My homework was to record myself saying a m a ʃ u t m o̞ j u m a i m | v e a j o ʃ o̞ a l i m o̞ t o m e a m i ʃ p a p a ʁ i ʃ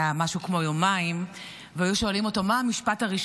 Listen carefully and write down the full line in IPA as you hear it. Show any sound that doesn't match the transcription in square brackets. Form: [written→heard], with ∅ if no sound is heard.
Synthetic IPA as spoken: a m a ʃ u [t→k] m o̞ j [u→o] m a i m | v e a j [o→u] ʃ o̞ a l i m o̞ t o m [e→a] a m i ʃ p a [p→t] a ʁ i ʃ